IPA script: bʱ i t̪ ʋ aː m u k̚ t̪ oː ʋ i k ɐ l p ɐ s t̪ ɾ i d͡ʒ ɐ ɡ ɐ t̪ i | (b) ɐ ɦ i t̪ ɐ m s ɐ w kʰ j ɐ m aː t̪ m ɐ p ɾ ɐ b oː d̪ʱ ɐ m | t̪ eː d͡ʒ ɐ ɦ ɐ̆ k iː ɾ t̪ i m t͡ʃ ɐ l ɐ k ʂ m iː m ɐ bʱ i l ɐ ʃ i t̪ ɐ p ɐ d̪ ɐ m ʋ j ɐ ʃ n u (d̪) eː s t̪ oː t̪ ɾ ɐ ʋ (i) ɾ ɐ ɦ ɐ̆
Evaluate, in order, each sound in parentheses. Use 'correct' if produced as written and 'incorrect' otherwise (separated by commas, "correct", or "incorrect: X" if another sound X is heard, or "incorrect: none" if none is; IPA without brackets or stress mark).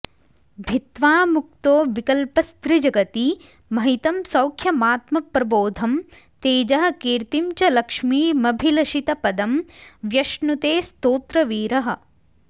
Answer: incorrect: m, incorrect: t̪, incorrect: iː